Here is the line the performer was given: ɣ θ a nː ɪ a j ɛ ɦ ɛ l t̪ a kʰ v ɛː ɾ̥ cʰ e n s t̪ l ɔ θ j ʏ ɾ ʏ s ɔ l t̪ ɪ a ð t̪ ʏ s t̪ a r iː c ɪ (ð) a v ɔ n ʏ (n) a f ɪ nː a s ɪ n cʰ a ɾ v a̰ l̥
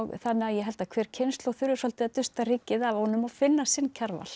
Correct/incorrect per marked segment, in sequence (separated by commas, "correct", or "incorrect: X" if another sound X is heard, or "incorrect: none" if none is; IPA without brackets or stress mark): correct, incorrect: m